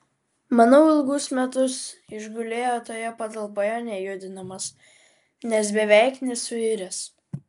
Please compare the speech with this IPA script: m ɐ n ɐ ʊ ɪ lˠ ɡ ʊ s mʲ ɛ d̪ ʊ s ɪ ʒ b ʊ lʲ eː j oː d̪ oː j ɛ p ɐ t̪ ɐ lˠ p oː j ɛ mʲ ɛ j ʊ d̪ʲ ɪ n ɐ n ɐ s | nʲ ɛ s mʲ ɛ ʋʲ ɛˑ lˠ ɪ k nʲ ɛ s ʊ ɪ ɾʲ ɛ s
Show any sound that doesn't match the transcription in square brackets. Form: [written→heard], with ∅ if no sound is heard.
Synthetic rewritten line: m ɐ n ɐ ʊ ɪ lˠ ɡ ʊ s mʲ ɛ [d̪→t̪] ʊ s ɪ ʒ [b→ɡ] ʊ lʲ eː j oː [d̪→t̪] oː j ɛ p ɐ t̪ ɐ lˠ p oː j ɛ [mʲ→nʲ] ɛ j ʊ d̪ʲ ɪ n ɐ [n→m] ɐ s | nʲ ɛ s [mʲ→bʲ] ɛ ʋʲ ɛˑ [lˠ→∅] ɪ k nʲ ɛ s ʊ ɪ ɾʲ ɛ s